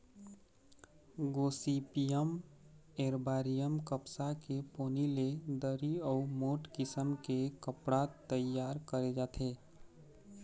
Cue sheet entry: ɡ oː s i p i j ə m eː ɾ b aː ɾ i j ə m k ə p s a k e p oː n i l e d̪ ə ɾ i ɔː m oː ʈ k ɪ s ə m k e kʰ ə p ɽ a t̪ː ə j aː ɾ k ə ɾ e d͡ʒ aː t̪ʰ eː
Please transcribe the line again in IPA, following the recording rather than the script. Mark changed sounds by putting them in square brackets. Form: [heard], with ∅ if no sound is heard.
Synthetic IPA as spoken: ɡ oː s i p i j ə m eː ɾ b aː ɾ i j ə m k ə p s a k e p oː n i l e d̪ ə ɾ i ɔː m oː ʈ k ɪ s ə m k e [k] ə p ɽ a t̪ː ə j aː ɾ k ə ɾ e d͡ʒ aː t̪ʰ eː